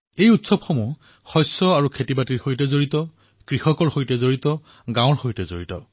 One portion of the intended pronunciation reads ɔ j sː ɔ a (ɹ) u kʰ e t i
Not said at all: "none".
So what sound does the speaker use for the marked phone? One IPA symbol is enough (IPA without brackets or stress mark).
ɹ